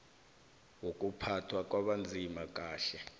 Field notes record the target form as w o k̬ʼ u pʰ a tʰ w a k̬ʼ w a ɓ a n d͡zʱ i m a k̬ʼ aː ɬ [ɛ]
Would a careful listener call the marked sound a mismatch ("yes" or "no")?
no